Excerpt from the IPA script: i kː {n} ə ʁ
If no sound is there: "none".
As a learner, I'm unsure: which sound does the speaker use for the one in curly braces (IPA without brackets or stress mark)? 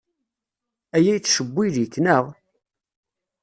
n